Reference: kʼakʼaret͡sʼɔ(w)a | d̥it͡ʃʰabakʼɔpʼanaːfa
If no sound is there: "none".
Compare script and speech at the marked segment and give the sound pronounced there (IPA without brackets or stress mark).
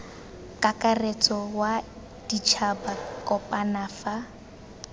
w